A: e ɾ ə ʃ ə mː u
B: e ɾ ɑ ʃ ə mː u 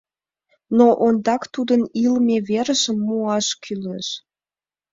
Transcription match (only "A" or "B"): A